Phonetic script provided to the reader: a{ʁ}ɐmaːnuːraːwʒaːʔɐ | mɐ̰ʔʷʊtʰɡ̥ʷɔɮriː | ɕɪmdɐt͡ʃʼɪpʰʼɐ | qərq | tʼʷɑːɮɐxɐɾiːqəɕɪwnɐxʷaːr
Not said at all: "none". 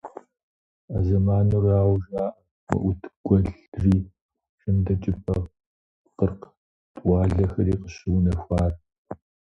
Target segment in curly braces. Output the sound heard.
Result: z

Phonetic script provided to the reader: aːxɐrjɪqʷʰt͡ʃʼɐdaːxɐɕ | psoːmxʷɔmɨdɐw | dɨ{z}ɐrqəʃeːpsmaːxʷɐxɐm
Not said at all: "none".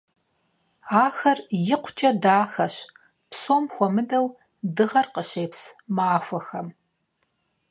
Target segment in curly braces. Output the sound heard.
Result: ʁ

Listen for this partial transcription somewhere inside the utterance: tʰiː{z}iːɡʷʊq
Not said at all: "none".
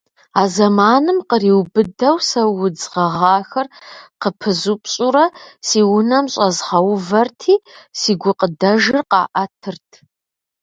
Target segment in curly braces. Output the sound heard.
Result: s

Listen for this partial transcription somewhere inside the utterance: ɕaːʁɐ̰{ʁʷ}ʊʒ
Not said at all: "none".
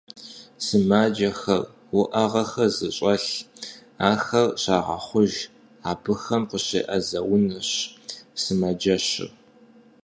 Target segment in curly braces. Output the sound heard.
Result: χʷ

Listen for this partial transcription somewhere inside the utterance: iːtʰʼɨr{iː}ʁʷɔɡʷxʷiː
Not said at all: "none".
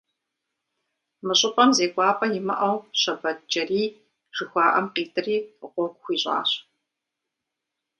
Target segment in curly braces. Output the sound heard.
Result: iː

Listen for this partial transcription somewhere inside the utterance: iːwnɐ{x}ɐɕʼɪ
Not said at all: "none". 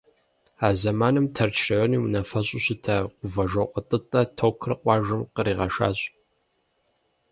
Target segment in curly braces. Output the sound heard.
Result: f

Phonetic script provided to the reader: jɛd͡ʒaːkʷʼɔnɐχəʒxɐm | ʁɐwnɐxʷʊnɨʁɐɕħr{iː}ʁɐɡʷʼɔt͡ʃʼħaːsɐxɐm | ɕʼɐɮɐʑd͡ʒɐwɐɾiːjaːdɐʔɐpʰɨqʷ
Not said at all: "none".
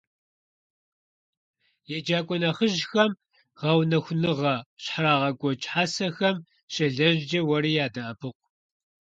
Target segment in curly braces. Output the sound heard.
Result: aː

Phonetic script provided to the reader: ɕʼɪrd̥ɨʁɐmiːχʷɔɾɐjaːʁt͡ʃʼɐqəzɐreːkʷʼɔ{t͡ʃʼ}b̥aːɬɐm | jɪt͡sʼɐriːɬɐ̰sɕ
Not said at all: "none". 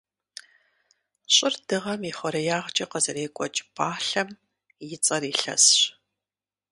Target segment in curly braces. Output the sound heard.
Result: t͡ʃʼ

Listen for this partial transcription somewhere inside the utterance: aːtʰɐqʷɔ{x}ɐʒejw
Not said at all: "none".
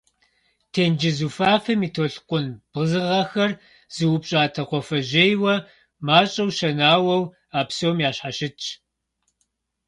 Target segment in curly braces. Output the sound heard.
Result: f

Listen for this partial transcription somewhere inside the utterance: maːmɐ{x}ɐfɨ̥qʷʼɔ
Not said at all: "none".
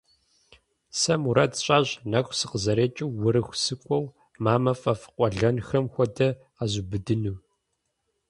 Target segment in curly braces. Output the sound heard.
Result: f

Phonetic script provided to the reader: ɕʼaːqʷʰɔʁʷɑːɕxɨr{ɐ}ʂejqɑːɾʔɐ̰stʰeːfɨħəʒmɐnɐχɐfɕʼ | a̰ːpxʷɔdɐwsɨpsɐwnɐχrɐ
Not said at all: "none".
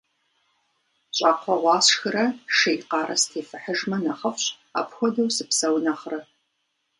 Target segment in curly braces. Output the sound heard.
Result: ɐ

